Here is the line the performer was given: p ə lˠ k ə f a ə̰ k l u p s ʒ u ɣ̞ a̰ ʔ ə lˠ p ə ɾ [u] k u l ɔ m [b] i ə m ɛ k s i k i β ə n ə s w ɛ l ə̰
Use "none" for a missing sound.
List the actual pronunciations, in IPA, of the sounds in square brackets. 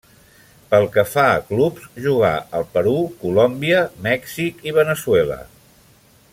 u, b

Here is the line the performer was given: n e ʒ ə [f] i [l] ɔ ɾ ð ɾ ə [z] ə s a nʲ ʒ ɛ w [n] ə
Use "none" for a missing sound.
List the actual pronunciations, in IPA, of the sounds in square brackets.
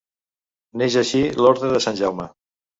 ʃ, l, ð, m

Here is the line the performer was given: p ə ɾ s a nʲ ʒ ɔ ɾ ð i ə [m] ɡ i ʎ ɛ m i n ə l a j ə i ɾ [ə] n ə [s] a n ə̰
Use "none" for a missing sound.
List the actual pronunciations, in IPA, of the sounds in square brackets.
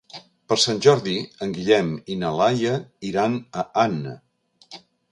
ŋ, a, none

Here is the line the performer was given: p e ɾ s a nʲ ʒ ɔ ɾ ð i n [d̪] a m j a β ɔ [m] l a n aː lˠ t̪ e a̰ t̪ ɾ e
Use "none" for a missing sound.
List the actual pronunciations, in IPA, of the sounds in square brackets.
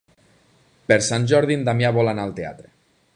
d̪, none

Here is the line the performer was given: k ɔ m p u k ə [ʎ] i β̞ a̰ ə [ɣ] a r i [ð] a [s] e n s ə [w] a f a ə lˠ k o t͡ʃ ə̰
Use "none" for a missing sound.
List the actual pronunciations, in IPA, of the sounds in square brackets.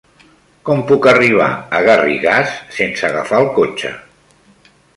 r, ɣ, ɣ, sː, ɣ

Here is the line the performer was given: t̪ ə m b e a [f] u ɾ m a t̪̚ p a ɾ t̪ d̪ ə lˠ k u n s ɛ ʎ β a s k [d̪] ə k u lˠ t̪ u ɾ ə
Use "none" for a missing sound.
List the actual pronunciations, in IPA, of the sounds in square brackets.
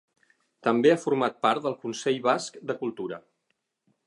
f, d̪

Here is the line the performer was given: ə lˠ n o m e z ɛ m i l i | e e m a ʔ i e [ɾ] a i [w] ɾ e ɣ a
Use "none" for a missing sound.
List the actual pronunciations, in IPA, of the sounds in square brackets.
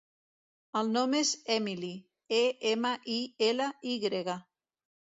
l, ɣ

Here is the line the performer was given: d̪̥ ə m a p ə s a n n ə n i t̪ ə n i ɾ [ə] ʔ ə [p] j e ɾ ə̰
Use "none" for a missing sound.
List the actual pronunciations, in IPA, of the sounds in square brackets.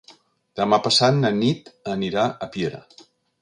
a, p

